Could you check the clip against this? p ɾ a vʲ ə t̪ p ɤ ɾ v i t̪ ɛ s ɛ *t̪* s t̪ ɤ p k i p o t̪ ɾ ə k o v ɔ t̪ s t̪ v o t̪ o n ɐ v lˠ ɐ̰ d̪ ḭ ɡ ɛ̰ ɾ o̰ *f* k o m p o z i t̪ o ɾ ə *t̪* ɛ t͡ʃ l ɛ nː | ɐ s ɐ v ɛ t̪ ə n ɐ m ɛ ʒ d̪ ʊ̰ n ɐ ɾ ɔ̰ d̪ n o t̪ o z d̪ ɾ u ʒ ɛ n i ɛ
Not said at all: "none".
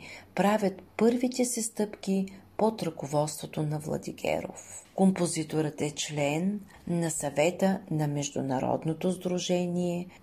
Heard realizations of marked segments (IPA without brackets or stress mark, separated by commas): none, f, t̪